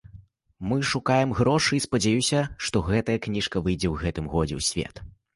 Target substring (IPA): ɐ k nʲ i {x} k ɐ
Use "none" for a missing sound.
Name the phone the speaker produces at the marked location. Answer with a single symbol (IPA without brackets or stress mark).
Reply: ʂ